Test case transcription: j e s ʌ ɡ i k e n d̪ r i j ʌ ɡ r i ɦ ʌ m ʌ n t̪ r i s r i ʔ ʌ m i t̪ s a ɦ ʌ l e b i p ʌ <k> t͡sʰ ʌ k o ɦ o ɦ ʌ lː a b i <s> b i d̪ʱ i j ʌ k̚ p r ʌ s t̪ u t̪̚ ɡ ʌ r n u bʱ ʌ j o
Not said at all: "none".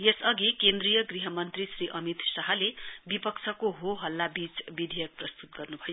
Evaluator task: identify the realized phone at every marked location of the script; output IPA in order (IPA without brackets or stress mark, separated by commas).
k, t͡s